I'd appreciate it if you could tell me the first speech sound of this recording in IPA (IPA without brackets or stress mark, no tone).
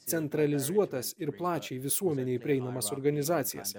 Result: t̪